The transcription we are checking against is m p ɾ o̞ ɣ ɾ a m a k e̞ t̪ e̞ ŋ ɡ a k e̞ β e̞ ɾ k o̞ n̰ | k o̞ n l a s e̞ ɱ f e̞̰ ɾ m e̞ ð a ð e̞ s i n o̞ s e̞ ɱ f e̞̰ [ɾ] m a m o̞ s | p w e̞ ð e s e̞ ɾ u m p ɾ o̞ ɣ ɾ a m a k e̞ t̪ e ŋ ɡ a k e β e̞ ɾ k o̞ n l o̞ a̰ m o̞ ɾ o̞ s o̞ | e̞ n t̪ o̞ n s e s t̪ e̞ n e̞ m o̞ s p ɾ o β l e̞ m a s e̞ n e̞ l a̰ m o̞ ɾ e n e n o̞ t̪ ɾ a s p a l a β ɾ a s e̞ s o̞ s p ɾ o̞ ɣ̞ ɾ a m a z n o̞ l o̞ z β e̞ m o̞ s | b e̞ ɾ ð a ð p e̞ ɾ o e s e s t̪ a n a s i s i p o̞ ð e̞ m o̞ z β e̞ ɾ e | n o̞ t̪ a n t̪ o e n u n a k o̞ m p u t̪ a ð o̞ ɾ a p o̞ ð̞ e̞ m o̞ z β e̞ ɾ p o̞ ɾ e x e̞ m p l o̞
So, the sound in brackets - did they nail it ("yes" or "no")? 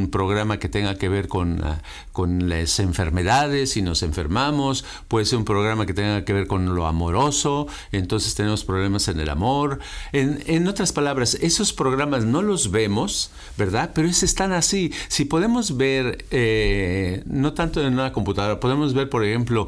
yes